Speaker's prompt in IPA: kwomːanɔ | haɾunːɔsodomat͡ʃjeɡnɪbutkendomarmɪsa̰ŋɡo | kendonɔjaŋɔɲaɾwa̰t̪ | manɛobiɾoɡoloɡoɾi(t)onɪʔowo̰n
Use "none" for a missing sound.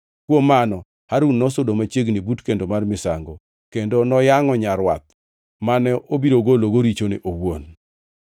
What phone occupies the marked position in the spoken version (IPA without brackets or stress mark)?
t͡ʃ